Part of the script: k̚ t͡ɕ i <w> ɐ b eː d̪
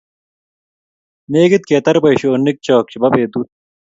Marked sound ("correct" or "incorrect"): incorrect